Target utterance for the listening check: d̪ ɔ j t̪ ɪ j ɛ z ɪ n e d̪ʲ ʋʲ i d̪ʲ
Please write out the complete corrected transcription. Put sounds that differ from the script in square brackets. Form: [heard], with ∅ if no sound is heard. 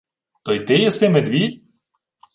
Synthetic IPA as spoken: [t̪] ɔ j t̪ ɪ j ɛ [s] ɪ [m] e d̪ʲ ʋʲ i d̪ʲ